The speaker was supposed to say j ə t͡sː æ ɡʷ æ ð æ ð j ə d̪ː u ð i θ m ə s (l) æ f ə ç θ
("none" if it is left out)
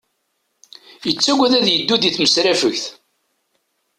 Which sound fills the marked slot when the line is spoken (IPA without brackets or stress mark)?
ɾ